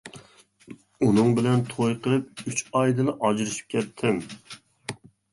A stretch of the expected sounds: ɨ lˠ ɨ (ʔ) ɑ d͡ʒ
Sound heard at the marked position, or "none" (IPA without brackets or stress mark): ʔ